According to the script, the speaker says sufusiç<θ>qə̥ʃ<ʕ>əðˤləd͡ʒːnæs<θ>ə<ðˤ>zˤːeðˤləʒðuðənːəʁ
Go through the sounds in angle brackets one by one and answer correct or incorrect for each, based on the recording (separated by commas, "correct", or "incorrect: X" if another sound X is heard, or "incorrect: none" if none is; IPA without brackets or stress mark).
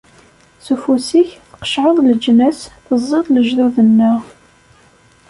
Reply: correct, correct, correct, incorrect: none